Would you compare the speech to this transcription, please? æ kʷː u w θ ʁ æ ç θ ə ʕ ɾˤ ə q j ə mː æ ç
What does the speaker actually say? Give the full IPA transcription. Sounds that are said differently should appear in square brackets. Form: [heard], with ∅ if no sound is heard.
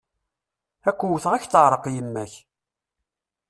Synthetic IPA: æ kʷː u w θ ʁ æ ç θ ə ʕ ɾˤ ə q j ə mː æ ç